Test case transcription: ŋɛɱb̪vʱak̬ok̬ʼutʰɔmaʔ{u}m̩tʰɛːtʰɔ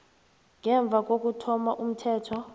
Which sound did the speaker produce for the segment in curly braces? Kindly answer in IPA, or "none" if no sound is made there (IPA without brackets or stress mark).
u